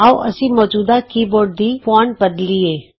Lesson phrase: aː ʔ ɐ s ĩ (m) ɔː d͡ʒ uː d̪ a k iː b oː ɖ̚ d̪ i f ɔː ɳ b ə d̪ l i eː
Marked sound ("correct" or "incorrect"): correct